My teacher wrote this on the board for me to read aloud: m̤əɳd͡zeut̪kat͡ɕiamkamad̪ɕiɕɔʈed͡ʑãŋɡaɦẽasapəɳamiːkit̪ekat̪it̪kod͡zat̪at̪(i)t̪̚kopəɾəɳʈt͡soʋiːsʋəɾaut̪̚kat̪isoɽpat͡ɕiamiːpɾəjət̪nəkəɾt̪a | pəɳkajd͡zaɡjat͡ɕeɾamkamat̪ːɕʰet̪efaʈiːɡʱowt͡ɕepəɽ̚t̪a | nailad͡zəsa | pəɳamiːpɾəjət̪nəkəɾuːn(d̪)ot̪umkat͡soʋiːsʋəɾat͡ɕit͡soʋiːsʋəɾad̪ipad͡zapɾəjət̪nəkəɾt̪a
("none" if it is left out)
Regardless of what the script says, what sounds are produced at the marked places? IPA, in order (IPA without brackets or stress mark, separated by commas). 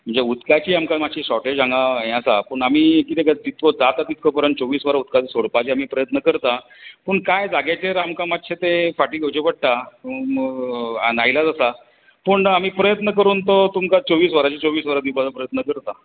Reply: i, t̪